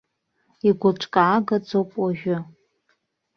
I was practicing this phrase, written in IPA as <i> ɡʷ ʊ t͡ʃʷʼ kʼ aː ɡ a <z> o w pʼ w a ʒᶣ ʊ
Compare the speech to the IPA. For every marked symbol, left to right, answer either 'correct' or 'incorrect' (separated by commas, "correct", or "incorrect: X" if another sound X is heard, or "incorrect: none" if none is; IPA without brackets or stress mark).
correct, incorrect: d͡z